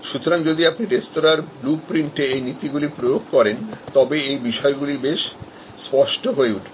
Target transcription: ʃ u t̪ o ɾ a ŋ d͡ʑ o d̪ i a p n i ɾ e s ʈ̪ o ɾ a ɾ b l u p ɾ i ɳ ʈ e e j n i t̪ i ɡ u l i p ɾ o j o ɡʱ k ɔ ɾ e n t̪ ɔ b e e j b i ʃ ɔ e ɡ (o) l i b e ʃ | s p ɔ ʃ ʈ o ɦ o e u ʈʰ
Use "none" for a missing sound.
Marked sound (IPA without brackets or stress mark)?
u